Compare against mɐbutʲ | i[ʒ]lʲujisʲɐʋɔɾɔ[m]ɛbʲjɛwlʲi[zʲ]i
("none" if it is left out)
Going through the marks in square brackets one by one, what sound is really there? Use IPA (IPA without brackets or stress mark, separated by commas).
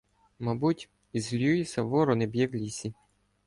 z, n, sʲ